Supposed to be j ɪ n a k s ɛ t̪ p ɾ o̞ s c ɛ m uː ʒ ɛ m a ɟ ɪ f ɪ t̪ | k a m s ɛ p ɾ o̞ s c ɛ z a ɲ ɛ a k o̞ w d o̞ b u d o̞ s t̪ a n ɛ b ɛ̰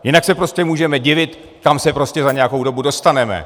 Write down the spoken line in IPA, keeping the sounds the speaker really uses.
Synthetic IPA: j ɪ n a k s ɛ p ɾ o̞ s c ɛ m uː ʒ ɛ m ɛ ɟ ɪ v ɪ t̪ | k a m s ɛ p ɾ o̞ s c ɛ z a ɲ ɛ a k o̞ w d o̞ b u d o̞ s t̪ a n ɛ m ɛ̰